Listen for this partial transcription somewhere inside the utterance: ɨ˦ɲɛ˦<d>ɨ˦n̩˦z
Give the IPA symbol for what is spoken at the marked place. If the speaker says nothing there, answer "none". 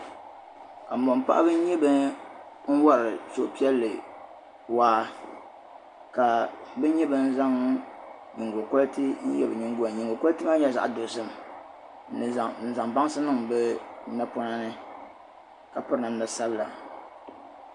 b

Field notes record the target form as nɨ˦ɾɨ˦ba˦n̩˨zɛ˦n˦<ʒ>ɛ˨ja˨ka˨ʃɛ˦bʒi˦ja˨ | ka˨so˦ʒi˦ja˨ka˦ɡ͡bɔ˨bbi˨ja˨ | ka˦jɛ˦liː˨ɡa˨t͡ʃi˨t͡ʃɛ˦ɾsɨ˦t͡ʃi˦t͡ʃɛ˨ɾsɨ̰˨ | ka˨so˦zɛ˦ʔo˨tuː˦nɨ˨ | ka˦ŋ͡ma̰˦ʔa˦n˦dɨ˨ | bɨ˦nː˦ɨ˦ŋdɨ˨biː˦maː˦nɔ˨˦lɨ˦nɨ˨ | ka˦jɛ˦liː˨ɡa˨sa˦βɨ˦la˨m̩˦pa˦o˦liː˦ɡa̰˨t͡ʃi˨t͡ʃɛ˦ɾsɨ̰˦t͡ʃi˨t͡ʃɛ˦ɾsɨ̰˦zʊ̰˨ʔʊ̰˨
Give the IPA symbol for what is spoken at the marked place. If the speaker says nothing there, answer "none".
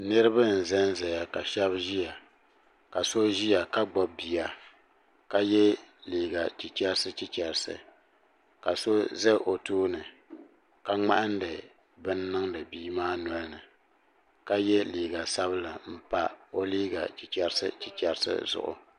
z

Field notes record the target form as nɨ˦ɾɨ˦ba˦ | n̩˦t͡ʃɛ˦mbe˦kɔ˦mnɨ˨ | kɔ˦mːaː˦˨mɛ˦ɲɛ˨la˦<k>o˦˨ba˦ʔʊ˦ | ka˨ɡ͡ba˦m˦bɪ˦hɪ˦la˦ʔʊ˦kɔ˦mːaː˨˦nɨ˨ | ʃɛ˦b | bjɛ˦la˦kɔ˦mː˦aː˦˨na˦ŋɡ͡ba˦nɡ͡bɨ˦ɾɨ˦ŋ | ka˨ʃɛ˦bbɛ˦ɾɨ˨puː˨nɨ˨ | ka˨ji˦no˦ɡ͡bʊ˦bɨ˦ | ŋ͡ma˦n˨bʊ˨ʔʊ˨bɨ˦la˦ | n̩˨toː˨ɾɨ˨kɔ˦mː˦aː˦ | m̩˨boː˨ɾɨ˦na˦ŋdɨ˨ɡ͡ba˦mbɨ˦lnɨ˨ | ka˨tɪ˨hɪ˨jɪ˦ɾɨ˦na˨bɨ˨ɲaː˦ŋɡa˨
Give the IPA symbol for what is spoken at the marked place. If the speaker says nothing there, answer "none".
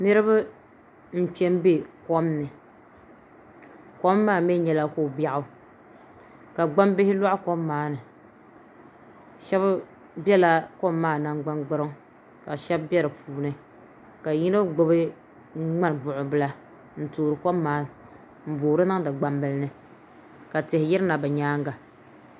k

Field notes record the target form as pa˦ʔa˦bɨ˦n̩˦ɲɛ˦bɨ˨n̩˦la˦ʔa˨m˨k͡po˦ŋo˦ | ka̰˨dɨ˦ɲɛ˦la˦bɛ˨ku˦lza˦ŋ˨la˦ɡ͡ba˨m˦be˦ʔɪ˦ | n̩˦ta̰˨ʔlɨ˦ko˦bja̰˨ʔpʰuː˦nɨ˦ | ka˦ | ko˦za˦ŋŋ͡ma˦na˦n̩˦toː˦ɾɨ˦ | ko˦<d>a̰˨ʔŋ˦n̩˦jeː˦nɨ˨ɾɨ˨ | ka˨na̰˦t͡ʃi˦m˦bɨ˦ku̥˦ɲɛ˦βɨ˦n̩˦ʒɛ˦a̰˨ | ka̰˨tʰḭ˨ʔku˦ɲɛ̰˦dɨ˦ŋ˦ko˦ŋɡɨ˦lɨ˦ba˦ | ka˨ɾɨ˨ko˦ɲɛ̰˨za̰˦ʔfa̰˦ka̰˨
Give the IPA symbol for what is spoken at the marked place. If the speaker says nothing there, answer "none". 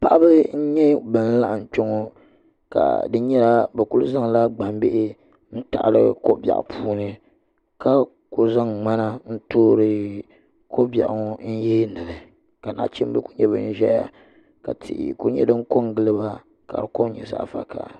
b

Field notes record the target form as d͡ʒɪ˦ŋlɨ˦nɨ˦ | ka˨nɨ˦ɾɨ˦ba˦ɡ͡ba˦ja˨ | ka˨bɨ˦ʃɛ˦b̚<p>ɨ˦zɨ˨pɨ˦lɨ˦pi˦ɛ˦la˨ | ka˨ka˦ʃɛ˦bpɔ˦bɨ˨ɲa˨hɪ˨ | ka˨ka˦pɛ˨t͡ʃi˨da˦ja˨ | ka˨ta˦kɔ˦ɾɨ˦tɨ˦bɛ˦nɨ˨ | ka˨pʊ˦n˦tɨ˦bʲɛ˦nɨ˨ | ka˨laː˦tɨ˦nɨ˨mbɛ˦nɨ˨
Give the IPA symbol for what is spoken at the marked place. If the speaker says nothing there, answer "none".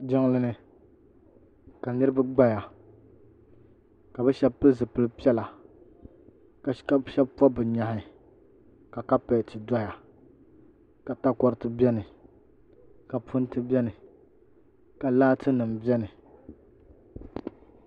p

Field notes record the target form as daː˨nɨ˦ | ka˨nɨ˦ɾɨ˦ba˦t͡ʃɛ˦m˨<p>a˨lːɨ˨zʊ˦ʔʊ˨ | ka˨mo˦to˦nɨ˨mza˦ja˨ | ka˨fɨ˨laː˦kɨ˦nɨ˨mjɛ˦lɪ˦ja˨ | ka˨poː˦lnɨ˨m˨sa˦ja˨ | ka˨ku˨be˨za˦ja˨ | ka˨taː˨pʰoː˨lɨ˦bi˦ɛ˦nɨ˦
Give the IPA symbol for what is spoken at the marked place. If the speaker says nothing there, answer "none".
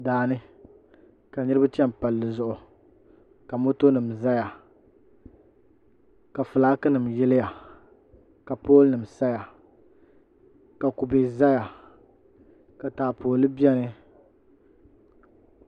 p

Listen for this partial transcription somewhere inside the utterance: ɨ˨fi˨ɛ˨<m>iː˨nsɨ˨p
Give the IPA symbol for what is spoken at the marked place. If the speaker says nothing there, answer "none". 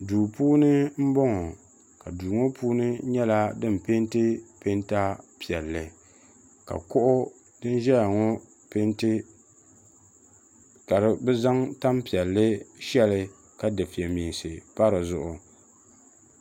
m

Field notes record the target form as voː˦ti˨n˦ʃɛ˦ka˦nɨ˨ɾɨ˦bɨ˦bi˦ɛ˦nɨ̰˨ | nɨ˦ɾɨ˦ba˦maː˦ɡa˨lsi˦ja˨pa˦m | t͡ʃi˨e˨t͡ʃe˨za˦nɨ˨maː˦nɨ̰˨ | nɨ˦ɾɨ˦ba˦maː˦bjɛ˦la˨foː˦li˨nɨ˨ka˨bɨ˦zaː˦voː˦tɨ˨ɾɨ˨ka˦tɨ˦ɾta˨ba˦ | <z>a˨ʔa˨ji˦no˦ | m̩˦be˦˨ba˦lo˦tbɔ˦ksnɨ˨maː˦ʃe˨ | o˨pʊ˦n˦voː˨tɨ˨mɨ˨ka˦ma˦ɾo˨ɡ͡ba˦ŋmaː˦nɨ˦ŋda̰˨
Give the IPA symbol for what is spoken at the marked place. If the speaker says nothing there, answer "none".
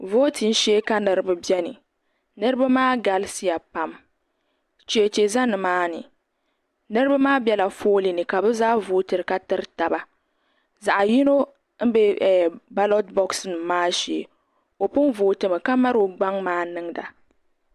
z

